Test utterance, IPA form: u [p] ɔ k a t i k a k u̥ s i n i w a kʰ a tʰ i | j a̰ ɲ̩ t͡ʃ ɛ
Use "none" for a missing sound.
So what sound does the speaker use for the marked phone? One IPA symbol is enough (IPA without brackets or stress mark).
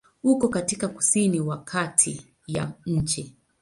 k